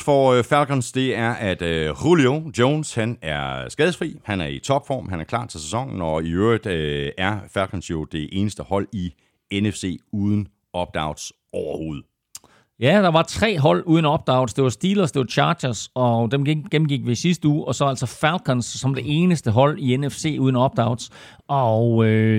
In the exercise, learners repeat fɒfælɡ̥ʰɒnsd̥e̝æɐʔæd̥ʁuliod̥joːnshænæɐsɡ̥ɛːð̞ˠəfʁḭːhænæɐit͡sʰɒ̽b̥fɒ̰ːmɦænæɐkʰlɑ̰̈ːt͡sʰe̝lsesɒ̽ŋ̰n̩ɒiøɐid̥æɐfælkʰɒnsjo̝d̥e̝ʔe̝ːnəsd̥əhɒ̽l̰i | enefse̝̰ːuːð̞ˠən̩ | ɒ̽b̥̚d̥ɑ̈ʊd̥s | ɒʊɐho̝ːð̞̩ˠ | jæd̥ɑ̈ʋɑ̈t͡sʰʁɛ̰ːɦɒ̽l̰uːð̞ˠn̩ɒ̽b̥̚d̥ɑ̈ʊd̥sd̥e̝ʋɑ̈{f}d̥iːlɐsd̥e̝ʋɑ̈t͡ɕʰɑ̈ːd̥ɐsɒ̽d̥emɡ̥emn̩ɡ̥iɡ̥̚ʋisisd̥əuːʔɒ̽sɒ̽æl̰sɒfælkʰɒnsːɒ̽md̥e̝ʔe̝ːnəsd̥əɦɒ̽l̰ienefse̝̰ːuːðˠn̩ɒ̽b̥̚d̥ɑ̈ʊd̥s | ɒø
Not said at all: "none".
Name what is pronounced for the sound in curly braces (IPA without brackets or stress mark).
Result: s